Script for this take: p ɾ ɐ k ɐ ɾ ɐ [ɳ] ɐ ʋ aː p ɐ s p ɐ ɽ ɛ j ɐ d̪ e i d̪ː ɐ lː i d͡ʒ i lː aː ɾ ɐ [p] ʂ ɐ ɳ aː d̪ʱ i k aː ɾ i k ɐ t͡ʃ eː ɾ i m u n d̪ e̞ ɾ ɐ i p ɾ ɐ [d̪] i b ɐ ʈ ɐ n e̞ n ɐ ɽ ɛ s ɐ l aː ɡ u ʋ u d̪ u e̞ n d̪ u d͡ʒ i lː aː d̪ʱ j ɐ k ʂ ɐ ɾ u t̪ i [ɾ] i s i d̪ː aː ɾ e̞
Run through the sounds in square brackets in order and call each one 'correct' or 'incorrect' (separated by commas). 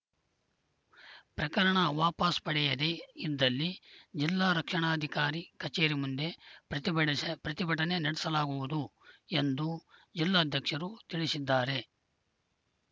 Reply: correct, incorrect, incorrect, incorrect